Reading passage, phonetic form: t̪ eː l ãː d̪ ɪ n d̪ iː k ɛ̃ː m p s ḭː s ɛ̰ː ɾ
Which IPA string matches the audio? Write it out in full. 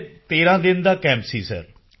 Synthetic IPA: t̪ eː ɾ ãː d̪ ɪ n d̪ aː k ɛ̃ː m p s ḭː s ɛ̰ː ɾ